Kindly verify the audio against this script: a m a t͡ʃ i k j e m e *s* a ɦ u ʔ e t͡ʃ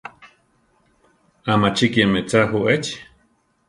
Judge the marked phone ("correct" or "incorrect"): incorrect